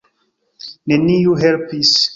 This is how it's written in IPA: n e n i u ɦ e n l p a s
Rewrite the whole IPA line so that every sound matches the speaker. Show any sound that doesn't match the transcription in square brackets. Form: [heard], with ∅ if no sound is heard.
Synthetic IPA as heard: n e n i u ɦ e [∅] l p [i] s